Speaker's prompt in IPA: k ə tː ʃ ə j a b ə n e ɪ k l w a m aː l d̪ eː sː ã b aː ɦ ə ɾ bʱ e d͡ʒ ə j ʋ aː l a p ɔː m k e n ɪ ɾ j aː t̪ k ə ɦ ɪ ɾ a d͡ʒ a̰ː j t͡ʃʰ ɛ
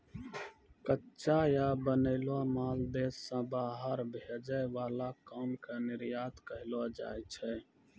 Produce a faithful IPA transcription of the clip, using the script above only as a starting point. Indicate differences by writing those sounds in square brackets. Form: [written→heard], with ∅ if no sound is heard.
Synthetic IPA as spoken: k ə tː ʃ [ə→a] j a b ə n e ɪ [k→∅] l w a m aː l d̪ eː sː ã b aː ɦ ə ɾ bʱ e d͡ʒ ə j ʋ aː l a [p→k] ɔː m k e n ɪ ɾ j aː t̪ k ə ɦ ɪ [ɾ→l] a d͡ʒ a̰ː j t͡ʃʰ ɛ

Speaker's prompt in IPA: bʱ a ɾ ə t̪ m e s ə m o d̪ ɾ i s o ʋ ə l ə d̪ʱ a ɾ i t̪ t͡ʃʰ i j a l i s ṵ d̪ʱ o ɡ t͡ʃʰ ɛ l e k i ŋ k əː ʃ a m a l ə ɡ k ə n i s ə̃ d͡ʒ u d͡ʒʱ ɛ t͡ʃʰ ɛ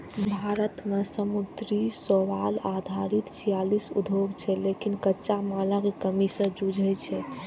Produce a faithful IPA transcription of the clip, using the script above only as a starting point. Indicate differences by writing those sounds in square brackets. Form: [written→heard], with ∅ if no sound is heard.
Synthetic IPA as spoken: bʱ a ɾ ə t̪ m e s ə m [o→u] d̪ ɾ i s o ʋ [ə→a] l [ə→a] d̪ʱ a ɾ i t̪ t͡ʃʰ i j a l i s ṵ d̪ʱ o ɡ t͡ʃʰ ɛ l e k i [ŋ→n] k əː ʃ a m a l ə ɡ k ə [n→m] i s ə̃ d͡ʒ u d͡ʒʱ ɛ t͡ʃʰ ɛ

